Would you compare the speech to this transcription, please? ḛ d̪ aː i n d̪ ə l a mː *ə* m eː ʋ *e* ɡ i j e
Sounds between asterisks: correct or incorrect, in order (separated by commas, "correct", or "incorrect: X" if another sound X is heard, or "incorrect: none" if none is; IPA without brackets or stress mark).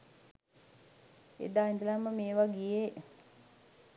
correct, incorrect: a